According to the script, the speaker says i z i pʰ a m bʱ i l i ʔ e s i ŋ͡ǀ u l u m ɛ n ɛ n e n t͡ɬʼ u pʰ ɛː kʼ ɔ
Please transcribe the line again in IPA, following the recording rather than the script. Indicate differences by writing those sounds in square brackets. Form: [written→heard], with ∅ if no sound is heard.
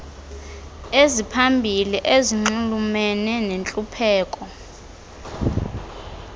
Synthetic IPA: [i→e] z i pʰ a m bʱ i l i ʔ e [s→z] i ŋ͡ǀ u l u m ɛ n ɛ n e n t͡ɬʼ u pʰ ɛː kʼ ɔ